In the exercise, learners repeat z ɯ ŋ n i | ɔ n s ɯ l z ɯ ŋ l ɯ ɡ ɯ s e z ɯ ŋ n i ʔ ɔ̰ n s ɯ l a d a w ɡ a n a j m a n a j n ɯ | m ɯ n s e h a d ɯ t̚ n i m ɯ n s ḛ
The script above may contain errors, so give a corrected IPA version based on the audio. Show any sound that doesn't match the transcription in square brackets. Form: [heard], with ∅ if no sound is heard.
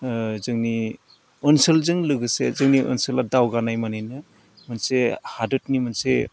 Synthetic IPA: z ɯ ŋ n i | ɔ n s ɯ l z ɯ ŋ l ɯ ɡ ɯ s e z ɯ ŋ n i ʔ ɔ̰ n s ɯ l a d a w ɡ a n a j m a n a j n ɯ | m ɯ n s e h a d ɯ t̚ n i m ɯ n s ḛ